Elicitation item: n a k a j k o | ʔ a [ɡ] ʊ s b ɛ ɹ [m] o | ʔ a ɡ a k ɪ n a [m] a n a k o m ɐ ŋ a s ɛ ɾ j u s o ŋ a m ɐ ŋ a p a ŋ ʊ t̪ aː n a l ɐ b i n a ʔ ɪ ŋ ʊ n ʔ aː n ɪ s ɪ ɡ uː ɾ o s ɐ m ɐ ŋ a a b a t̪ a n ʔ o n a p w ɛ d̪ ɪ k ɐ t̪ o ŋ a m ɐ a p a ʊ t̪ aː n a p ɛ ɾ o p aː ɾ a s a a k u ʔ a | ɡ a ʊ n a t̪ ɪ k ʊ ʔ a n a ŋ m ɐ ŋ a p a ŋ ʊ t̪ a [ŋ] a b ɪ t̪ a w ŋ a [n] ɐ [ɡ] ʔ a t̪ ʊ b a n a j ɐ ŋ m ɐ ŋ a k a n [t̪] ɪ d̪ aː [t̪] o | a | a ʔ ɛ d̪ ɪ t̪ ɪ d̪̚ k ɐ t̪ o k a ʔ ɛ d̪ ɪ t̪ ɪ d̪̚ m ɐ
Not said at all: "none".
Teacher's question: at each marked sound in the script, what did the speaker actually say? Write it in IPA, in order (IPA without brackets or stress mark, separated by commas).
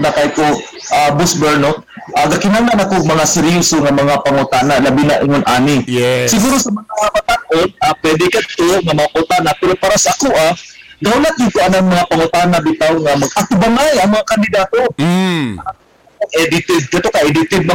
b, n, n, n, m, ɡ, d̪, t̪